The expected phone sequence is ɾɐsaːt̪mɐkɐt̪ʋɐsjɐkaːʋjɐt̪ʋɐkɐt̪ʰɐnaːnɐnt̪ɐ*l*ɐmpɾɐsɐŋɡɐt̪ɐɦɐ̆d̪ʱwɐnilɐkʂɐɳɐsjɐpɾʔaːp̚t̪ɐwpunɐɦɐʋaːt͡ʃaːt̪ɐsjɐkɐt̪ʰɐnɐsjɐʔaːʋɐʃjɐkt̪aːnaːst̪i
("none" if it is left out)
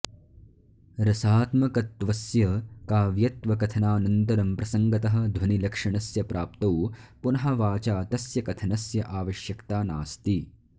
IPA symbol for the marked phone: ɾ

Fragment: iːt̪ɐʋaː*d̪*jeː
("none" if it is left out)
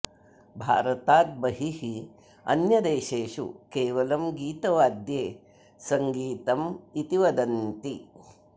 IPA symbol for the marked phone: d̪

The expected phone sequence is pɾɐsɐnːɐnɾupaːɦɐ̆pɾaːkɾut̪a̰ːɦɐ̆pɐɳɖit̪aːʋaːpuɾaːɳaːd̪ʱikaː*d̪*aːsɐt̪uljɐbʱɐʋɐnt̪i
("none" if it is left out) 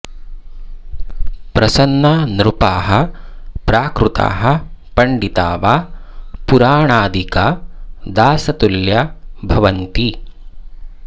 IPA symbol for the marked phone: d̪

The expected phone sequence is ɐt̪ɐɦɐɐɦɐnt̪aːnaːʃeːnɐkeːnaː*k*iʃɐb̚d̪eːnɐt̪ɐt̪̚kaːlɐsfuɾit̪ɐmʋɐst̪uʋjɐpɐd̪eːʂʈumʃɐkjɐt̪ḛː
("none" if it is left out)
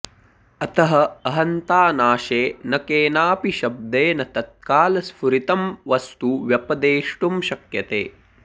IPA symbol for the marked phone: p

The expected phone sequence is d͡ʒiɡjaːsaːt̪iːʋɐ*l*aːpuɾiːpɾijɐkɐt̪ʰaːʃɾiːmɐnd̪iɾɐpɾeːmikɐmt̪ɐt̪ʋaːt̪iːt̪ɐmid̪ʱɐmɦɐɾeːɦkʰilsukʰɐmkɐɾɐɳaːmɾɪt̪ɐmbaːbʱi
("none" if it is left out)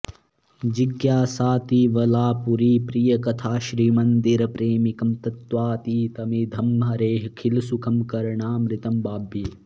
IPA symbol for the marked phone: l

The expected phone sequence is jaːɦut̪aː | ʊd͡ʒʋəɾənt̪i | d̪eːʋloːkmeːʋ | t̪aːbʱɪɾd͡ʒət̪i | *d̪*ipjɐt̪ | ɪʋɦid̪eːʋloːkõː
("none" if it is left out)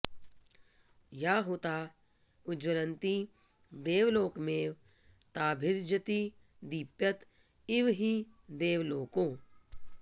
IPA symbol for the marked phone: d̪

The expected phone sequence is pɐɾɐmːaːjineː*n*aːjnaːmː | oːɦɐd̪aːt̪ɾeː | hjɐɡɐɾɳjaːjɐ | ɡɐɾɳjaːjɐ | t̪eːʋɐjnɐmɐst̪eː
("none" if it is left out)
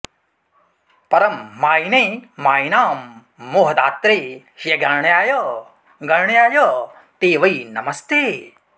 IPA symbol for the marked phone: m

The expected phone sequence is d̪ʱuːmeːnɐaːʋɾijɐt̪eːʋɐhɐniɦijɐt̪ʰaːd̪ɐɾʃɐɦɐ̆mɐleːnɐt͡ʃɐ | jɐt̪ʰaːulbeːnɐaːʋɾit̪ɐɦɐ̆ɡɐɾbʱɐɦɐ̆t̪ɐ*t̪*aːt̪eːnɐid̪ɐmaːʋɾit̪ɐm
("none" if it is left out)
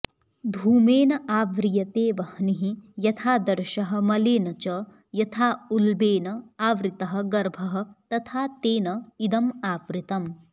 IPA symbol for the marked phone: t̪ʰ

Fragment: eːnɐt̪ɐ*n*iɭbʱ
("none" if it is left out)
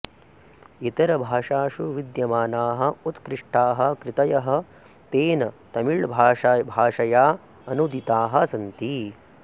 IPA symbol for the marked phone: m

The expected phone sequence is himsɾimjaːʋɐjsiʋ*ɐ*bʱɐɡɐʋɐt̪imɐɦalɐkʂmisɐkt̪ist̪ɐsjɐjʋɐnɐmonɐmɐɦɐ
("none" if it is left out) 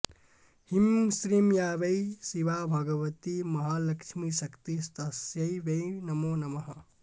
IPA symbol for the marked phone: a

